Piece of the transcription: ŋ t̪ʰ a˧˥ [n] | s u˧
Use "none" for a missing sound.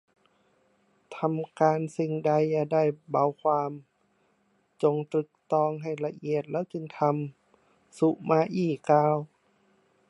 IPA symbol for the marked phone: m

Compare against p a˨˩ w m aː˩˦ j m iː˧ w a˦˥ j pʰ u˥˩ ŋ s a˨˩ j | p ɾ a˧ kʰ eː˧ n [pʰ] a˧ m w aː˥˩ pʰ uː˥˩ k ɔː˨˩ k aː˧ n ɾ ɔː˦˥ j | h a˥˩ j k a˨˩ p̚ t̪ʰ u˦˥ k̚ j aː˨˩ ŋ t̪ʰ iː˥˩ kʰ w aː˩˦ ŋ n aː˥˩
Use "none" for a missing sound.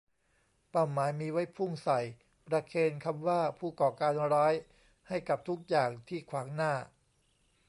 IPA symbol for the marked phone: kʰ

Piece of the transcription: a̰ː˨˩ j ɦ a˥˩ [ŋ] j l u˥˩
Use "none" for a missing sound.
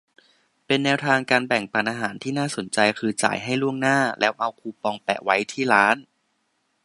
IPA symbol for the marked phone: none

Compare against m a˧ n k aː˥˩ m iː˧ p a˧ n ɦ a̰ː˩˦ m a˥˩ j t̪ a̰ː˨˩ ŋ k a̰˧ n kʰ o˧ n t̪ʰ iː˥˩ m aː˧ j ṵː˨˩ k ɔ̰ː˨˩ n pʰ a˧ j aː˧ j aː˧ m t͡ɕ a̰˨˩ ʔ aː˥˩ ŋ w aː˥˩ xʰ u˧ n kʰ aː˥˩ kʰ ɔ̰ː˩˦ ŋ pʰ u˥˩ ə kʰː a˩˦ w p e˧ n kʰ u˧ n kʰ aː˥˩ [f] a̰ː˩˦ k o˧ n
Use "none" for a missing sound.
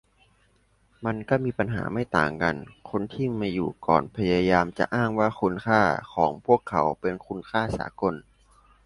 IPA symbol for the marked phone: s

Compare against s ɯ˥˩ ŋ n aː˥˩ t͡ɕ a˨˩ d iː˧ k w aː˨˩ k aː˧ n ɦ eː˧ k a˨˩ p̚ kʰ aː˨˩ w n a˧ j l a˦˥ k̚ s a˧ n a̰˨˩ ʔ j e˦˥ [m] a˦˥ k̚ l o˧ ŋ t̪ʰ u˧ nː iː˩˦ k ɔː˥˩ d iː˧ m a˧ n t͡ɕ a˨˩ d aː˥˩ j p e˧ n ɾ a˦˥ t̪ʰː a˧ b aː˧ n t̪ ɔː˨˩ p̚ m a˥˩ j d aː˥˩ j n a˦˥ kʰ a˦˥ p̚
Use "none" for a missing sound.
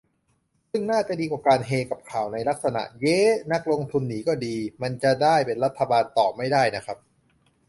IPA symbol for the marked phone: n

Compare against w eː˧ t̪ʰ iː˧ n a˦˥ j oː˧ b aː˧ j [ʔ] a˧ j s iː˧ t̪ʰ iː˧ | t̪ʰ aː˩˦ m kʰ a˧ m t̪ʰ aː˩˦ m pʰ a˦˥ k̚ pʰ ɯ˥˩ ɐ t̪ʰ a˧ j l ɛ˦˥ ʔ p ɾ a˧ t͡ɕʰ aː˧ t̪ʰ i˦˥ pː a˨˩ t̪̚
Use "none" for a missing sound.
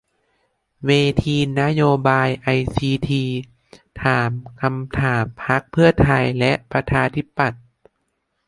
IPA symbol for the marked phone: ʔ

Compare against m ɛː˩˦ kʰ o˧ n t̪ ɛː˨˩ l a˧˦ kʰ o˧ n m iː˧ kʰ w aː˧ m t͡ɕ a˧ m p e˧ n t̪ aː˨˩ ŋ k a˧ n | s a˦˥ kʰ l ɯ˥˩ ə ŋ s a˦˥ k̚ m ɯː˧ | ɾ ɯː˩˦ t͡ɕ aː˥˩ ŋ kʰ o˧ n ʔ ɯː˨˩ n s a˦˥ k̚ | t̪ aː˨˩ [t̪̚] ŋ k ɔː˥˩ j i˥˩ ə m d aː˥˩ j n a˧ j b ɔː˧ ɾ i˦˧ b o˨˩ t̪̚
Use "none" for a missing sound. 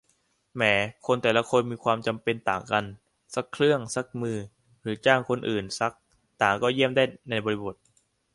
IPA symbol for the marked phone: none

